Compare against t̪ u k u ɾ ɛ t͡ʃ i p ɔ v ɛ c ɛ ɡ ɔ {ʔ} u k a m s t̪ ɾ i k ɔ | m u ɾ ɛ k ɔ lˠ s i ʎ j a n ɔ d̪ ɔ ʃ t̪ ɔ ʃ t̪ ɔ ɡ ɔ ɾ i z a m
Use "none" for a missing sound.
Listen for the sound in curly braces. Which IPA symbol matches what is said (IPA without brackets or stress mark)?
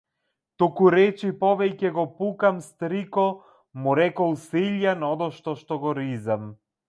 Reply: p